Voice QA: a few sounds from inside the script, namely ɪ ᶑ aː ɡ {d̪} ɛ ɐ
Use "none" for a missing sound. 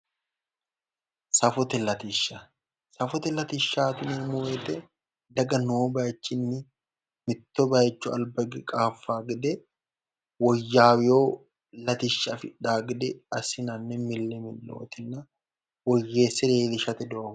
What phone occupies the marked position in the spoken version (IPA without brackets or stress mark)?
d̪